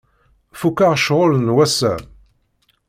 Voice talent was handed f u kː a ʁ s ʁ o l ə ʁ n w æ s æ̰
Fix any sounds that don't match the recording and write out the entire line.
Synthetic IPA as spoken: f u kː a ʁ ʃ ʁ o l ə n w æ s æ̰